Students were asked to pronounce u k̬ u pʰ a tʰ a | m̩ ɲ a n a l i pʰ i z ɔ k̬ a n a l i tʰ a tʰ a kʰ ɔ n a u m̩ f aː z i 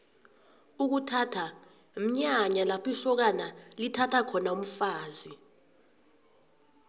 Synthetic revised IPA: u k̬ u tʰ a tʰ a | m̩ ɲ a ɲ a l a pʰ i s ɔ k̬ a n a l i tʰ a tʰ a kʰ ɔ n a u m̩ f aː z i